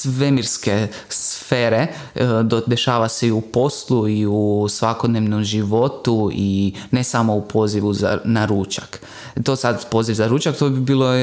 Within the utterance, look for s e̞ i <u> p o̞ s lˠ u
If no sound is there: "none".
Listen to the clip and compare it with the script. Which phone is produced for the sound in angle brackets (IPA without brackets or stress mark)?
u